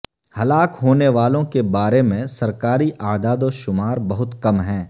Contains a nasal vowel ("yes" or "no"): yes